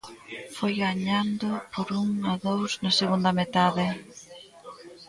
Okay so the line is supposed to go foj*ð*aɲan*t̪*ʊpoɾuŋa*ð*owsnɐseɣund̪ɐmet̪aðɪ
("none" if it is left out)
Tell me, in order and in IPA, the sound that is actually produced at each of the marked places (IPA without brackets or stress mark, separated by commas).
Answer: ɣ, d̪, ð